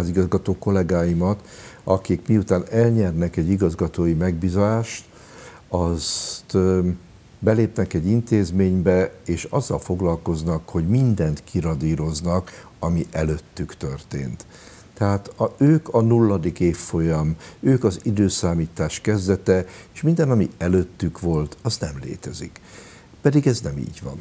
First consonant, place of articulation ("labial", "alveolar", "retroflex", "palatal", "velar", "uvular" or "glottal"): alveolar